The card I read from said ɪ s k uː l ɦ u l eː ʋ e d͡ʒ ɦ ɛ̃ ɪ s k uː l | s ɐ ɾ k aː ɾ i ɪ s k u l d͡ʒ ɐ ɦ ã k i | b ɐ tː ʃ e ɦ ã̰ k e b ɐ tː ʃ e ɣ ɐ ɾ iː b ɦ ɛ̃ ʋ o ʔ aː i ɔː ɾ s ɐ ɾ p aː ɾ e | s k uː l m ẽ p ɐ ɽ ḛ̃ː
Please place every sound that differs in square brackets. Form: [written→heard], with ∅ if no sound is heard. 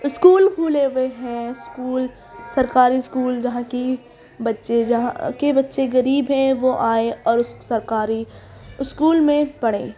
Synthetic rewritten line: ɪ s k uː l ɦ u l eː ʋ e [d͡ʒ→∅] ɦ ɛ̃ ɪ s k uː l | s ɐ ɾ k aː ɾ i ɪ s k [u→uː] l d͡ʒ ɐ ɦ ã k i | b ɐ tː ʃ e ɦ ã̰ k e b ɐ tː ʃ e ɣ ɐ ɾ iː b ɦ ɛ̃ ʋ o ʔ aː [i→e] ɔː ɾ s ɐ ɾ [p→k] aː ɾ [e→i] | s k uː l m ẽ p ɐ ɽ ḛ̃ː